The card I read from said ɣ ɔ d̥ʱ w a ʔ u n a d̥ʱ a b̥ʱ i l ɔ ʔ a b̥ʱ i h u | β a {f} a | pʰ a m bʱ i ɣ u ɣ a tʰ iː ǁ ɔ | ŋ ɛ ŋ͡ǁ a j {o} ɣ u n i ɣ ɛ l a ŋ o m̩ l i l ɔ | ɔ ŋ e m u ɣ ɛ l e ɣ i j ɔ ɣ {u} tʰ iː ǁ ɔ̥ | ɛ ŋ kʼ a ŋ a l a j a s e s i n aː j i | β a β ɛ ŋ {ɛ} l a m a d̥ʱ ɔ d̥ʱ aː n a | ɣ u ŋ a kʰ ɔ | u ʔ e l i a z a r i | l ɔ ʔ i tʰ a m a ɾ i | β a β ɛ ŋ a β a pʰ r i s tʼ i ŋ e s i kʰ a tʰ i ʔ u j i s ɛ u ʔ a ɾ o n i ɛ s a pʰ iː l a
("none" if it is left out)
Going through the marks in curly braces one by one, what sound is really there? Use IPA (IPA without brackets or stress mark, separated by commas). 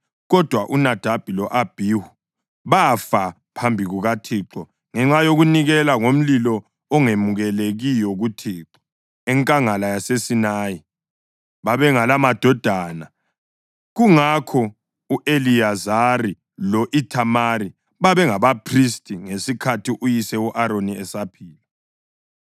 f, o, u, a